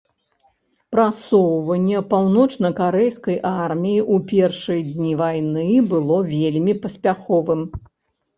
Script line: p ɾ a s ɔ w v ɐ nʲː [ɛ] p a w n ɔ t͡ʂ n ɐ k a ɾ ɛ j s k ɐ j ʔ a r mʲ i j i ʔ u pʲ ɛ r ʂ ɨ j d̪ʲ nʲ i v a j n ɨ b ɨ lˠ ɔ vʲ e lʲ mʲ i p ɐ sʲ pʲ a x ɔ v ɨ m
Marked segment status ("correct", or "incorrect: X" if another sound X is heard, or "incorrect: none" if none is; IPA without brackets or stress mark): correct